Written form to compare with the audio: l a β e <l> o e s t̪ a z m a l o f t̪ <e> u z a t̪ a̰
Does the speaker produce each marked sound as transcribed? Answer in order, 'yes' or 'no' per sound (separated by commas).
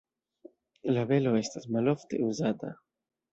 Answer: yes, yes